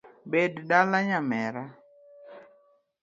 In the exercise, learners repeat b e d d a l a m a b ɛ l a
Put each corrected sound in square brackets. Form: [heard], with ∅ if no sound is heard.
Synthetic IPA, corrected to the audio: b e d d a l a [ɲ] a [m] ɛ [ɾ] a